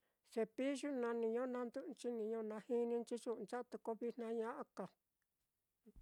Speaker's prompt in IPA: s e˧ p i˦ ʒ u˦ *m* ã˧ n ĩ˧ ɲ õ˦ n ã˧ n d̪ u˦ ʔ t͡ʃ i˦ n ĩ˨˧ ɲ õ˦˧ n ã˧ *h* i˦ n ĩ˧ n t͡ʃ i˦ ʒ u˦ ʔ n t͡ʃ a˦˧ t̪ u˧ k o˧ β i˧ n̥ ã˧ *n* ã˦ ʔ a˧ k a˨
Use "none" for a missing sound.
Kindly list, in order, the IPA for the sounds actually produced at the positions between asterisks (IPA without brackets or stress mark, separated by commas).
n, h, ɲ